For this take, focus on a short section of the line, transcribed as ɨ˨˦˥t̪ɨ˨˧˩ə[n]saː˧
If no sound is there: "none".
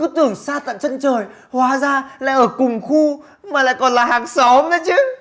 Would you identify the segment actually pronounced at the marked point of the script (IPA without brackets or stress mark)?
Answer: ŋ